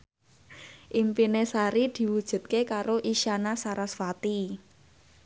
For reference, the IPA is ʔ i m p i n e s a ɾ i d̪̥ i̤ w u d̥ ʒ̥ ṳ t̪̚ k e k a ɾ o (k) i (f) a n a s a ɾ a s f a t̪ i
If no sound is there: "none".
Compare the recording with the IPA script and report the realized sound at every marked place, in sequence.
ʔ, ʃ

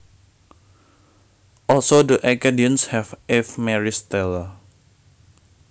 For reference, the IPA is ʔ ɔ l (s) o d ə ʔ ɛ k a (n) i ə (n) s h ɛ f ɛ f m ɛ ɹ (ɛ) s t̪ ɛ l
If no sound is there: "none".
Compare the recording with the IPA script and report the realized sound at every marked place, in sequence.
s, d, n, i

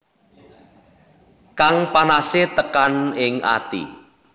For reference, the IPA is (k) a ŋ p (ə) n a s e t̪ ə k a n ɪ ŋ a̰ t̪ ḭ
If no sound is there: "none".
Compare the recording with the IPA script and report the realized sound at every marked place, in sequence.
k, a

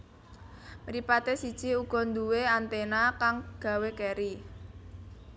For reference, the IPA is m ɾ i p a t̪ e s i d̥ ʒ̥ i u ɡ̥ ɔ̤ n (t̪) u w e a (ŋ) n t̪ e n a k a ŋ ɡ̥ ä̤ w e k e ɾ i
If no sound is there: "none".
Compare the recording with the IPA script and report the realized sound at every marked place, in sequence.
d̪, none

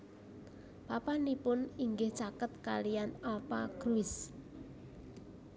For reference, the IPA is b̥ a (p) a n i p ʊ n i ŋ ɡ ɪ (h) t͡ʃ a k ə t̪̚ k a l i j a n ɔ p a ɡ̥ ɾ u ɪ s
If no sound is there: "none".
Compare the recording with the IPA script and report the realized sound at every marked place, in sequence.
p, h

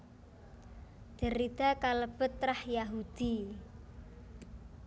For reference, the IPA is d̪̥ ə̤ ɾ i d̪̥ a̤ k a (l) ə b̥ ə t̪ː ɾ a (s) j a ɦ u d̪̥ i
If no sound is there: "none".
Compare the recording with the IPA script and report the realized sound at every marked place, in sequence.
l, h

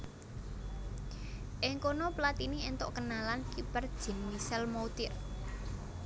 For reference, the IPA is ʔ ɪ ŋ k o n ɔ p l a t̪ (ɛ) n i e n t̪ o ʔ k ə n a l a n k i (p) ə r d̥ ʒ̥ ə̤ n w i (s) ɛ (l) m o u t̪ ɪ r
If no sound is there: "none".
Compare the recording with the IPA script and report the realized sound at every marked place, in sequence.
i, p, s, l

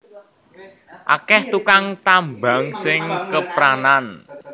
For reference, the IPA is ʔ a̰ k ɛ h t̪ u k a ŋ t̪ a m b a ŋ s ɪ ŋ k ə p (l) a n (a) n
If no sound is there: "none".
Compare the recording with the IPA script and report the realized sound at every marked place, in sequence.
ɾ, a

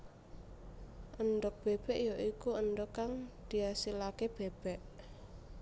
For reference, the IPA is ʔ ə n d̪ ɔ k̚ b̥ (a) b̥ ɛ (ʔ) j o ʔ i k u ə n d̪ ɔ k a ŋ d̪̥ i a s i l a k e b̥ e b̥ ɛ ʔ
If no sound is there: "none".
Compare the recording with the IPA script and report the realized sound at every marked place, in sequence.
e, ʔ

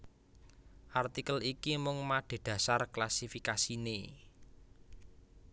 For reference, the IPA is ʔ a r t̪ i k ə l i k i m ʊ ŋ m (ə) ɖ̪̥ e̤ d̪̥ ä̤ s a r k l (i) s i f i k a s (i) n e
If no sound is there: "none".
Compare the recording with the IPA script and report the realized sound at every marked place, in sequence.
a, a, i

